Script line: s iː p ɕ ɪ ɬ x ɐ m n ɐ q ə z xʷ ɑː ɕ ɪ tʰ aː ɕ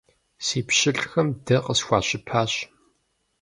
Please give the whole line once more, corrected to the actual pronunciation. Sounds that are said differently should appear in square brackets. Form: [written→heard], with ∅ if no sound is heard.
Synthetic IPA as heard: s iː p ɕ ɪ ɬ x ɐ m [n→d] ɐ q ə [z→s] xʷ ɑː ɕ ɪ [tʰ→pʰ] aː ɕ